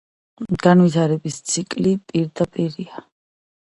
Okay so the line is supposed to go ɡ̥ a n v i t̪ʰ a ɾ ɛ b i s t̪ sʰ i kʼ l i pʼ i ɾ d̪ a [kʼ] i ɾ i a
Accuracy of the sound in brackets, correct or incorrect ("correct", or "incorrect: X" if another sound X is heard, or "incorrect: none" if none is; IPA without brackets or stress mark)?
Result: incorrect: pʼ